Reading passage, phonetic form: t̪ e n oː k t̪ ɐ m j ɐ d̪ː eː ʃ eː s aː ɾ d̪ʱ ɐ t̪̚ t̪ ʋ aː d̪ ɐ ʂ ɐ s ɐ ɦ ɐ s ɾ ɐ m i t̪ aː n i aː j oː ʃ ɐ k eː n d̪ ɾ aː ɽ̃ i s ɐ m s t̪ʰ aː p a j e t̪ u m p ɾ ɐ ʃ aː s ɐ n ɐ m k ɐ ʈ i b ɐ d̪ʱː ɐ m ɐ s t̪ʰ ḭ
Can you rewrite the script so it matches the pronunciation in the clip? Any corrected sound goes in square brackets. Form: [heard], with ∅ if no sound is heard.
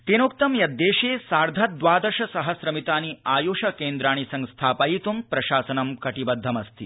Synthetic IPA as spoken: t̪ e n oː k t̪ ɐ m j ɐ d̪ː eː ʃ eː s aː ɾ d̪ʱ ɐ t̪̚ [d̪] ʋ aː d̪ ɐ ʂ ɐ s ɐ ɦ ɐ s ɾ ɐ m i t̪ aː n i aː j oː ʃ ɐ k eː n d̪ ɾ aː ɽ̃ i s ɐ [ŋ] s t̪ʰ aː p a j [i] t̪ u m p ɾ ɐ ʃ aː s ɐ n ɐ m k ɐ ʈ i b ɐ d̪ʱː ɐ m ɐ s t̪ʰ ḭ

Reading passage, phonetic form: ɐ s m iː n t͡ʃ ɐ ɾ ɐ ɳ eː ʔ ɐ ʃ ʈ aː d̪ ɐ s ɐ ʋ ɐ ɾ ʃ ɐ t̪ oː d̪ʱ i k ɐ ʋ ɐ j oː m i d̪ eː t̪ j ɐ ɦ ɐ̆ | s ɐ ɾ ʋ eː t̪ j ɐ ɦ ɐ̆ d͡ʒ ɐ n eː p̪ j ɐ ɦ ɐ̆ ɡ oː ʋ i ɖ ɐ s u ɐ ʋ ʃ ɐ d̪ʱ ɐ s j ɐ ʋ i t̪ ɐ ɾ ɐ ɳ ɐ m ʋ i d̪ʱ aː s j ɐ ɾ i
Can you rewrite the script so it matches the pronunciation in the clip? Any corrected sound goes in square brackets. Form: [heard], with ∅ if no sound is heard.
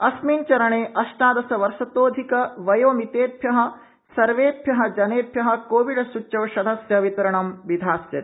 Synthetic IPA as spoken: ɐ s m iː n t͡ʃ ɐ ɾ ɐ ɳ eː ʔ ɐ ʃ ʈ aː d̪ ɐ s ɐ ʋ ɐ ɾ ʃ ɐ t̪ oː d̪ʱ i k ɐ ʋ ɐ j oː m i [t̪] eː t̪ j ɐ ɦ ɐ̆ | s ɐ ɾ ʋ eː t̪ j ɐ ɦ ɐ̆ d͡ʒ ɐ n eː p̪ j ɐ ɦ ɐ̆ [k] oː ʋ i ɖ ɐ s u ɐ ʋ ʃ ɐ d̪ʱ ɐ s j ɐ ʋ i t̪ ɐ ɾ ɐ ɳ ɐ m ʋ i d̪ʱ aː s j ɐ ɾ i

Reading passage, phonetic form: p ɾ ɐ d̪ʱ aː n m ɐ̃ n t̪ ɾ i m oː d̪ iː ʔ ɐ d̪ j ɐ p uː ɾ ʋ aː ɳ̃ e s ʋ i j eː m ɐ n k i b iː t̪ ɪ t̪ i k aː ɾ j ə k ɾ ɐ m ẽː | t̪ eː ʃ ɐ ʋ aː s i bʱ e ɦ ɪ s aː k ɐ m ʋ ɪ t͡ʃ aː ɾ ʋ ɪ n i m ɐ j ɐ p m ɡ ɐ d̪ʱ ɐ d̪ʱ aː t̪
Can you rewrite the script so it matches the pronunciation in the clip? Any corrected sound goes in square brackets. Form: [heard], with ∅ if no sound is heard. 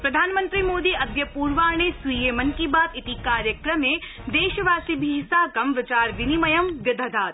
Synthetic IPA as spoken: p ɾ ɐ d̪ʱ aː n m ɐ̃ n t̪ ɾ i m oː d̪ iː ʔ ɐ d̪ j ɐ p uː ɾ ʋ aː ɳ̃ e s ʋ i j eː m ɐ n k i b [aː] t̪ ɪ t̪ i k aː ɾ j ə k ɾ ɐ m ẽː | [d̪] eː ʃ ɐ ʋ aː s i bʱ [i] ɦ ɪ s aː k ɐ m ʋ ɪ t͡ʃ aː ɾ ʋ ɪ n i m ɐ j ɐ [∅] m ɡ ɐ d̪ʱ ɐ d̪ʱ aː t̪

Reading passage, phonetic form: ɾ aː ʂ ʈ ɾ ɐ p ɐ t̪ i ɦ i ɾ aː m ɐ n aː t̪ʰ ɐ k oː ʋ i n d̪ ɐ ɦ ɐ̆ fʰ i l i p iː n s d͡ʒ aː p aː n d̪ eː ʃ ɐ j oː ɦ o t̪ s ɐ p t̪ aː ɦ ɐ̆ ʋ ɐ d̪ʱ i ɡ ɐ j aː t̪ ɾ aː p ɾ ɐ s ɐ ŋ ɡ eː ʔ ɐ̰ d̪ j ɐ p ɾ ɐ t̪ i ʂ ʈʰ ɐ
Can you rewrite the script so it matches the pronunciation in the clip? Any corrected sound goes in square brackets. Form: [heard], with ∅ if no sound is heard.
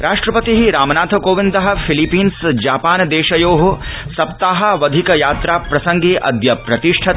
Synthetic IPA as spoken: ɾ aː ʂ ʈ ɾ ɐ p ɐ t̪ i ɦ i ɾ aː m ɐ n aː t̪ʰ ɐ k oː ʋ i n d̪ ɐ ɦ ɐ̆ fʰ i l i p iː n s d͡ʒ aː p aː n d̪ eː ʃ ɐ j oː ɦ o [∅] s ɐ p t̪ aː ɦ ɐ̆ ʋ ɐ d̪ʱ i [k] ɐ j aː t̪ ɾ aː p ɾ ɐ s ɐ ŋ ɡ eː ʔ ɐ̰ d̪ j ɐ p ɾ ɐ t̪ i ʂ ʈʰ ɐ

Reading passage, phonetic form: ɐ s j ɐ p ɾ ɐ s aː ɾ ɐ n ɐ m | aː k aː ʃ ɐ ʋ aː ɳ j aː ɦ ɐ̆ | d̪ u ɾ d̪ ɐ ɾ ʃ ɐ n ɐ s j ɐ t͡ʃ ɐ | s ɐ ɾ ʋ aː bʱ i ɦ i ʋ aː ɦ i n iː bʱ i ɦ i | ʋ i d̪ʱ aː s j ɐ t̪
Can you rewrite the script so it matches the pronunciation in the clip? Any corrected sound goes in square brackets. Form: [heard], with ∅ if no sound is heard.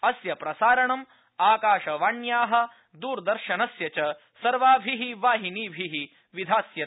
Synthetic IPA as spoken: ɐ s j ɐ p ɾ ɐ s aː ɾ ɐ [ɳ] ɐ m | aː k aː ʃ ɐ ʋ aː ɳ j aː ɦ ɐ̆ | d̪ [uː] ɾ d̪ ɐ ɾ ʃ ɐ n ɐ s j ɐ t͡ʃ ɐ | s ɐ ɾ ʋ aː bʱ i ɦ i ʋ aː ɦ i n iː bʱ i ɦ i | ʋ i d̪ʱ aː s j ɐ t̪

